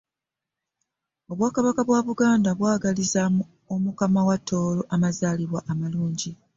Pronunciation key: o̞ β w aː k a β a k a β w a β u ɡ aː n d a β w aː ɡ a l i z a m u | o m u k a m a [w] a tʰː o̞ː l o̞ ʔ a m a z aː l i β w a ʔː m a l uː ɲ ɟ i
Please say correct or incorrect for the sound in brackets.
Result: correct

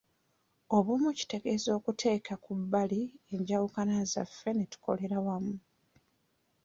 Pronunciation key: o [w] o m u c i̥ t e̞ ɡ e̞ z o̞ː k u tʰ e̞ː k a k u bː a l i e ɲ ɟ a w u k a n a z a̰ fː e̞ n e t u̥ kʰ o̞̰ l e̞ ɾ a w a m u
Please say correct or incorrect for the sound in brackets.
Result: incorrect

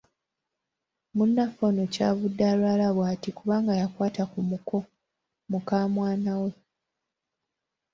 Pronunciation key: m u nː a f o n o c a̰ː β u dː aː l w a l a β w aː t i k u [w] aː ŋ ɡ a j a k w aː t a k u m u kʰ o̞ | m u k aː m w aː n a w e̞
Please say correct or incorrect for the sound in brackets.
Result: incorrect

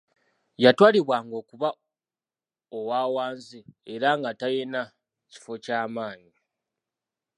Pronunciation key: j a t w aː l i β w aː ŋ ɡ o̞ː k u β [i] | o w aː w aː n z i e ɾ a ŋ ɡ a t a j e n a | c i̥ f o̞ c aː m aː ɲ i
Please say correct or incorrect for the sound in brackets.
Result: incorrect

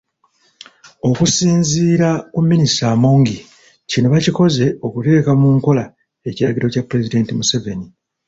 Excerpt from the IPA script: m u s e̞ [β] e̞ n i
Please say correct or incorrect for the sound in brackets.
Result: incorrect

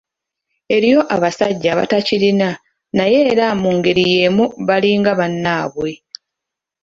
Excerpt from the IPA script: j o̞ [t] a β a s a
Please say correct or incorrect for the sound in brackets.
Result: incorrect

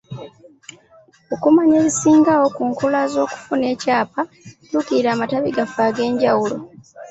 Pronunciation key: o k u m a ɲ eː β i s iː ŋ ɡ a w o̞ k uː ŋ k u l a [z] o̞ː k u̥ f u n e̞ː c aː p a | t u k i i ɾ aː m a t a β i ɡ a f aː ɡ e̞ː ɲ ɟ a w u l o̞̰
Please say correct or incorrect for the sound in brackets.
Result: correct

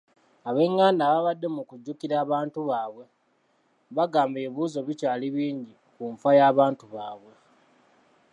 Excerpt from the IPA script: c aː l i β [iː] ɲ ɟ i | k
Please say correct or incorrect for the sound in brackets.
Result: correct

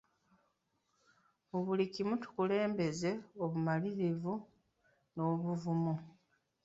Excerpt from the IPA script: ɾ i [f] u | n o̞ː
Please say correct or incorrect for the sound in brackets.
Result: incorrect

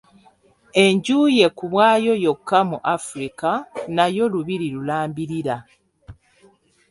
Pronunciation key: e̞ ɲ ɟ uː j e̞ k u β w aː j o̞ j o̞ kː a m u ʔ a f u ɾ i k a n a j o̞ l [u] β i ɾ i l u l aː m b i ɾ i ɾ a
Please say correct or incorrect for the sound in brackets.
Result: correct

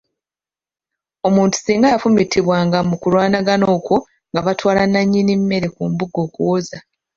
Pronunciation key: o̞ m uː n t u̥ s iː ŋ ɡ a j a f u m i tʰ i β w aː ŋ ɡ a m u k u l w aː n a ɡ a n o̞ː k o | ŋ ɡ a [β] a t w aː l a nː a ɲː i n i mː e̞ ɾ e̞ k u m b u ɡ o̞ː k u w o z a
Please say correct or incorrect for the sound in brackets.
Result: correct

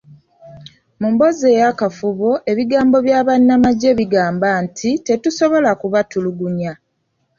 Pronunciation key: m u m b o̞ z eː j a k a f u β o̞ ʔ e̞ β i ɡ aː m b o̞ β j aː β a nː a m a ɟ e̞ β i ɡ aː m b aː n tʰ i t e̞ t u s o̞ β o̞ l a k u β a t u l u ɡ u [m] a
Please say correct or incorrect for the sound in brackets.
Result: incorrect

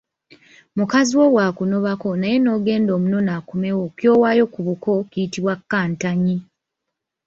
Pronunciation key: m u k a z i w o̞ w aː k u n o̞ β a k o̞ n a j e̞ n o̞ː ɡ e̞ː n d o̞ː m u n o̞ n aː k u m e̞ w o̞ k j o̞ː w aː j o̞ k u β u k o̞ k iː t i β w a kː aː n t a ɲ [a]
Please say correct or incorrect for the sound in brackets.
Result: incorrect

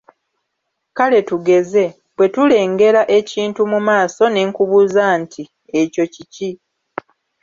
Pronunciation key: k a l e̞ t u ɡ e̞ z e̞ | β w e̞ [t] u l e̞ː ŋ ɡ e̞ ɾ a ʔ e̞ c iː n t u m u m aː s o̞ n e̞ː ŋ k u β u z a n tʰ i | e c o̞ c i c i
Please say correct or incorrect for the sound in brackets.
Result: correct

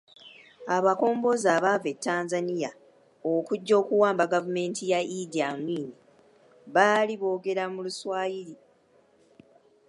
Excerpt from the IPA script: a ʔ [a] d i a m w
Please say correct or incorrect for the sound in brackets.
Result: incorrect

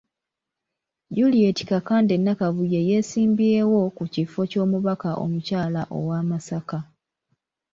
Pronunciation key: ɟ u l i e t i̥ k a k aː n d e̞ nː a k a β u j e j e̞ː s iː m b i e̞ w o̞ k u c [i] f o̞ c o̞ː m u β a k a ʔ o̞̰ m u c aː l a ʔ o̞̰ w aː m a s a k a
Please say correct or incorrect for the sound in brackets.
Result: correct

